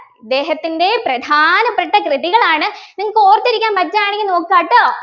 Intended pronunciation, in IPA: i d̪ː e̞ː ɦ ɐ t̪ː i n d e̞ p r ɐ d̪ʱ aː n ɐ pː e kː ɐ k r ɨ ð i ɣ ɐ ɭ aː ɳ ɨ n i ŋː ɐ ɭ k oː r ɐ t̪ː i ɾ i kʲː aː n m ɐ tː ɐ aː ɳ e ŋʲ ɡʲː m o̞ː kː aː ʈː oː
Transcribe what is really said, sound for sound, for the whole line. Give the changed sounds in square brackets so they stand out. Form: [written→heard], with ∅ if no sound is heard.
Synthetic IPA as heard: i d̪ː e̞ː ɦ ɐ t̪ː i n d e̞ p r ɐ d̪ʱ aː n ɐ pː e [kː→ʈː] ɐ k r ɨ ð i ɣ ɐ ɭ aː ɳ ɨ n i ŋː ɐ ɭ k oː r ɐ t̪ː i ɾ i kʲː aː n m ɐ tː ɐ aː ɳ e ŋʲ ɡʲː [m→n] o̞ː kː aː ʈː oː